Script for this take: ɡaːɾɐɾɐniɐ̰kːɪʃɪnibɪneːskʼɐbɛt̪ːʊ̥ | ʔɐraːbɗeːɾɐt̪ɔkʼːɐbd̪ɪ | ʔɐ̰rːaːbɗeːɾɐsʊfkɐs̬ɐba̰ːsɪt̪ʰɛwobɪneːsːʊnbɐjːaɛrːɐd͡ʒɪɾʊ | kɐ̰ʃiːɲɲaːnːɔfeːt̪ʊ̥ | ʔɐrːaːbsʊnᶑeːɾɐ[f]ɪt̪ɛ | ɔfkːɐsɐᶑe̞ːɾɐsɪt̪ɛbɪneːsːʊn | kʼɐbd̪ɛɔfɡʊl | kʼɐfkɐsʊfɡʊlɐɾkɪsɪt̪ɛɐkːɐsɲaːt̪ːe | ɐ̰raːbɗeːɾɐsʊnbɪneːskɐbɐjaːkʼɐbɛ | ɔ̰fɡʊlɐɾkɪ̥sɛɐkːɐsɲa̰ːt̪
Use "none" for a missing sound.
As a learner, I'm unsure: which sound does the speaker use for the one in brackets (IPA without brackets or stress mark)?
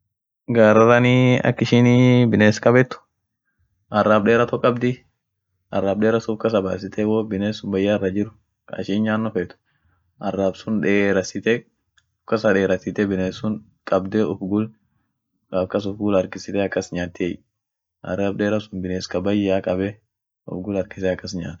s